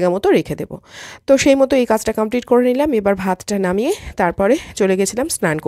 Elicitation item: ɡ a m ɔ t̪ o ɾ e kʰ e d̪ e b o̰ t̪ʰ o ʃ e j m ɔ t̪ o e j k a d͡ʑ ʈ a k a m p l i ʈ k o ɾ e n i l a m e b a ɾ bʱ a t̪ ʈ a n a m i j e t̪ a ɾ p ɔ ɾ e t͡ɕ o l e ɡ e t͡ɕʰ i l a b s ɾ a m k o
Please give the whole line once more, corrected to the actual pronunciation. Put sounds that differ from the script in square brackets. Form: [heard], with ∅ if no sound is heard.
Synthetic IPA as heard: ɡ a m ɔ t̪ o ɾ e kʰ e d̪ e b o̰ [t̪] o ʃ e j m ɔ t̪ o e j k a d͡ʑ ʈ a k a m p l i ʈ k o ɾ e n i l a m e b a ɾ bʱ a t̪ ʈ a n a m i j e t̪ a ɾ p ɔ ɾ e t͡ɕ o l e ɡ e t͡ɕʰ i l a [m] s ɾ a [n] k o